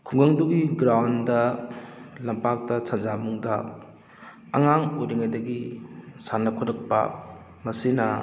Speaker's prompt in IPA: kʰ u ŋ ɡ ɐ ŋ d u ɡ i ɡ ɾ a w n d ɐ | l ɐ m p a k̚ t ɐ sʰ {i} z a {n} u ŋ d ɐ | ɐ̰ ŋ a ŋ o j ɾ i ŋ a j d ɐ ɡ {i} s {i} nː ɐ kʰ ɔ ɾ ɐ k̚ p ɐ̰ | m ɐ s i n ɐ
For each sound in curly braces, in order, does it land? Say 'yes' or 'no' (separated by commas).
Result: no, no, yes, no